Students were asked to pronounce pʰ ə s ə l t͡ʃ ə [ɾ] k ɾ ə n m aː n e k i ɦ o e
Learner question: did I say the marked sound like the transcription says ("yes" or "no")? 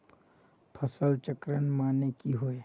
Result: no